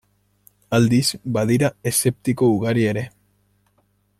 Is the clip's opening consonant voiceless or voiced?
voiced